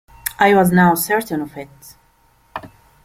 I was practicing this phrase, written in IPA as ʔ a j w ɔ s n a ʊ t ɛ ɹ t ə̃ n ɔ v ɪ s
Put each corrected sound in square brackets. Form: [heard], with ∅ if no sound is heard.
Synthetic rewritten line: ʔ a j w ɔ [z] n a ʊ [s] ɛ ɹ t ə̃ n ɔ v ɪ [t]